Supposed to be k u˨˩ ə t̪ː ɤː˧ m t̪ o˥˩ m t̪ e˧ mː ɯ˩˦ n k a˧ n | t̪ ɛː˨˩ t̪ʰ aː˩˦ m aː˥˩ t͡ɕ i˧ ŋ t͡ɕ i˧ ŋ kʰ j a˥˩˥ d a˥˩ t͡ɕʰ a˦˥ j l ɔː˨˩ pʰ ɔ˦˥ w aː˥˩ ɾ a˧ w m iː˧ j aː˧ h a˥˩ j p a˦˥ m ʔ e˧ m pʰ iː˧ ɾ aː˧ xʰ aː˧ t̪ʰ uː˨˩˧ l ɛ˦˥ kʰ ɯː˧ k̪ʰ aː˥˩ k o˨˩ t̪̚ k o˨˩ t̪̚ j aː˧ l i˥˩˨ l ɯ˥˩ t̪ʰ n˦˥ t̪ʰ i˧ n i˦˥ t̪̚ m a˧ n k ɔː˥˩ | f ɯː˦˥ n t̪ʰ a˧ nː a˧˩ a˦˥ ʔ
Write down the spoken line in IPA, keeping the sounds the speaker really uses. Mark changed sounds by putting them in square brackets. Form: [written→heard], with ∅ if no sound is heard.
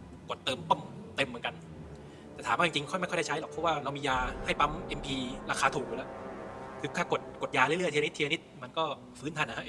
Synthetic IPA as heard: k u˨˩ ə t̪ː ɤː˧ m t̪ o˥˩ m t̪ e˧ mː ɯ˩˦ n k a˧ n | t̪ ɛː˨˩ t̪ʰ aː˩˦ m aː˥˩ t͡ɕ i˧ ŋ t͡ɕ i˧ ŋ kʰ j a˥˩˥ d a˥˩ t͡ɕʰ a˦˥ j l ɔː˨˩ pʰ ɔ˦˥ w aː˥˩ ɾ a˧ w m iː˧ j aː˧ h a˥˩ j p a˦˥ m ʔ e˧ m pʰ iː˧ ɾ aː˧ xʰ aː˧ t̪ʰ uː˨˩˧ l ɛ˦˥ kʰ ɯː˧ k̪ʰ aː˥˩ k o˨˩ t̪̚ k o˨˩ t̪̚ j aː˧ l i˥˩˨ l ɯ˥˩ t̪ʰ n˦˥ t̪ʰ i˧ n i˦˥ t̪̚ m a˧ n k ɔː˥˩ | f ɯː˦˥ n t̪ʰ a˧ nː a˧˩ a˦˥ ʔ